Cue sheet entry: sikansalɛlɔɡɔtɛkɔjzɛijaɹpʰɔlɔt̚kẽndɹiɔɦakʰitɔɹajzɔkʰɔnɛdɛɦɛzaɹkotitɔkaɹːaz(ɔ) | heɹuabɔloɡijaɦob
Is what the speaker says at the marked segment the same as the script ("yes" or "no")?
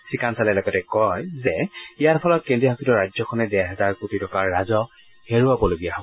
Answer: yes